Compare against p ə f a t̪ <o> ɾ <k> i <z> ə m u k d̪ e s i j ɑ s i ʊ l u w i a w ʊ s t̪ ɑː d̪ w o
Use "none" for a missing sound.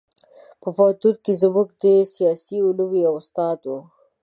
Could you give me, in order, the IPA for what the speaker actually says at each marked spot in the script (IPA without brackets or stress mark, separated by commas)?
u, k, z